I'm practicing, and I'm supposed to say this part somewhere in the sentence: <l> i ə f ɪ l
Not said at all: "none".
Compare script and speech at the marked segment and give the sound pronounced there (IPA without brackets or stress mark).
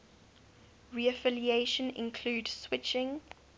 ɹ